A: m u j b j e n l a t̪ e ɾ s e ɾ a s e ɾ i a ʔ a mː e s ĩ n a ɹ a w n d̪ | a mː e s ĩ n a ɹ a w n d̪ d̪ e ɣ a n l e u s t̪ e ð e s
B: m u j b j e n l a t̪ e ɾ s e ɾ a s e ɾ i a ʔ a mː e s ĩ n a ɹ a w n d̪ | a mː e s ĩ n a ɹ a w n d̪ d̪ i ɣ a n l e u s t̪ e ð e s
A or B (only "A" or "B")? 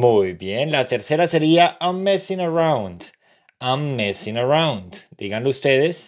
B